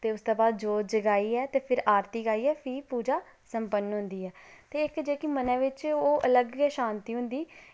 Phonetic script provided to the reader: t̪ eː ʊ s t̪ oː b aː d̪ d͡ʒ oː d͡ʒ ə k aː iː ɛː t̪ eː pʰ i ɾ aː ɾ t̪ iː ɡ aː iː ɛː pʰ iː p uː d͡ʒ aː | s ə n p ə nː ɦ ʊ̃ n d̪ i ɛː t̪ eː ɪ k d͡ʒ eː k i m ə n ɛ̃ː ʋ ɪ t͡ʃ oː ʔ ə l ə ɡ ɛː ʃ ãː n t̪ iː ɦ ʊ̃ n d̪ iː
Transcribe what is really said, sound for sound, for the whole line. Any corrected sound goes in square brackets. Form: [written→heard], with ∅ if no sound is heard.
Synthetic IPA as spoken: t̪ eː ʊ s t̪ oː b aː d̪ d͡ʒ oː d͡ʒ ə [k→ɡ] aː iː ɛː t̪ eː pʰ [i→ɪ] ɾ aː ɾ t̪ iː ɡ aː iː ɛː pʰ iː p uː d͡ʒ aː | s ə [n→m] p ə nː ɦ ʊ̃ n d̪ [i→iː] ɛː t̪ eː ɪ k d͡ʒ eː k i m ə n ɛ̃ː ʋ ɪ t͡ʃ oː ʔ ə l ə ɡ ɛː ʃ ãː n t̪ iː ɦ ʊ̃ n d̪ iː